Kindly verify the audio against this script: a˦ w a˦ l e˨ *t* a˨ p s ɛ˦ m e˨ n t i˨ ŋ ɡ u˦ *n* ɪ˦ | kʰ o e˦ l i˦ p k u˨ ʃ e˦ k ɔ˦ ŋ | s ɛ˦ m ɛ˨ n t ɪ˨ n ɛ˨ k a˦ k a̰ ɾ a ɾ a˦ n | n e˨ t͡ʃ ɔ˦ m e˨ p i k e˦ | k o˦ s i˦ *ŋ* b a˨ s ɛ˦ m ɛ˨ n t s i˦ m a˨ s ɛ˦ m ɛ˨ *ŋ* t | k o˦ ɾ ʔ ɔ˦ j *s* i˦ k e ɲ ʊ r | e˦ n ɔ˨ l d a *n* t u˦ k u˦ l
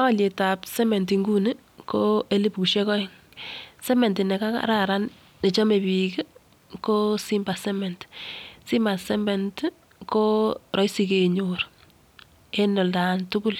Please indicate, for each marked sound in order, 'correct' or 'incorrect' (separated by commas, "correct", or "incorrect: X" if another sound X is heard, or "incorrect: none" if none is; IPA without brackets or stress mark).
correct, correct, incorrect: m, incorrect: n, correct, correct